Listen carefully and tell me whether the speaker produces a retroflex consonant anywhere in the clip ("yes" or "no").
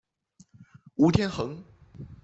no